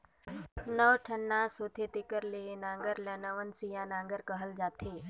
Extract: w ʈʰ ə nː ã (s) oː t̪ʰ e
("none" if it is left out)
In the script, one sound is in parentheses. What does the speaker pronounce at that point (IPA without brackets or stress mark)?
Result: s